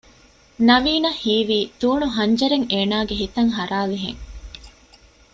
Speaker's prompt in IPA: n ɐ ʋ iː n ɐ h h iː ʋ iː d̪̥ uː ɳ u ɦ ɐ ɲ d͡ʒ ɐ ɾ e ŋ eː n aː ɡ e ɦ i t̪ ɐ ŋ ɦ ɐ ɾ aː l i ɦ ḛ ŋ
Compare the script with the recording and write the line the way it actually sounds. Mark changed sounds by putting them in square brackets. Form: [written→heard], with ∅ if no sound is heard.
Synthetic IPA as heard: n ɐ ʋ iː n ɐ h h iː ʋ iː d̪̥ uː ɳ u ɦ ɐ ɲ d͡ʒ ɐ ɾ e ŋ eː n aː ɡ e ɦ i t̪ ɐ ŋ ɦ ɐ ɾ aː l i ɦ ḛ ŋ